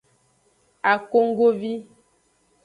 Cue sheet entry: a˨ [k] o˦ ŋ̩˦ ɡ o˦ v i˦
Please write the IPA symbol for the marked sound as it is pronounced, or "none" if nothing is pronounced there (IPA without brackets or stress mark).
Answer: k